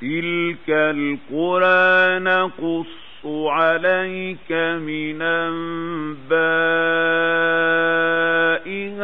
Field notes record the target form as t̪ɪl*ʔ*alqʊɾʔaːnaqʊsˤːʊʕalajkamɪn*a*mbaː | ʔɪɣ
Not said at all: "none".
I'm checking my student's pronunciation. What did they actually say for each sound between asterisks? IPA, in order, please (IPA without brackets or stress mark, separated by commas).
k, a